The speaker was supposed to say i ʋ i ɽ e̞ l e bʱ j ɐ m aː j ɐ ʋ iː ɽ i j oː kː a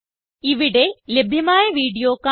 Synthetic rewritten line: i ʋ i ɽ e̞ l e bʱ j ɐ m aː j ɐ ʋ iː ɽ i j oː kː a